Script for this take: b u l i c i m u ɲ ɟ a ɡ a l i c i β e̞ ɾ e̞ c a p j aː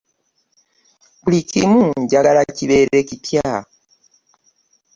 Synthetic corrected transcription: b u l i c i m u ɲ ɟ a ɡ a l a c i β e̞ ɾ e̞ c i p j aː